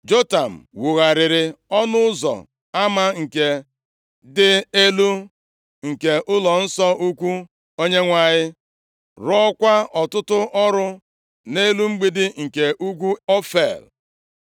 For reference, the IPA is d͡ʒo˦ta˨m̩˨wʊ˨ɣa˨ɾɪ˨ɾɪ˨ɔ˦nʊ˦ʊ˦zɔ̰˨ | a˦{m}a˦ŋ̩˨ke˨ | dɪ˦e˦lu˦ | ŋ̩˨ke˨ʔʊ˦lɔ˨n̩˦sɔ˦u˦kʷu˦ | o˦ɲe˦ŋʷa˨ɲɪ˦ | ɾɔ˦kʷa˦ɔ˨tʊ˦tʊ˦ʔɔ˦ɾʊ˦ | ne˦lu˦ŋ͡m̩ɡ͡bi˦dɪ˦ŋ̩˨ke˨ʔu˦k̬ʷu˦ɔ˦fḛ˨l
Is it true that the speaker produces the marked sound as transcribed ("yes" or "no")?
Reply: yes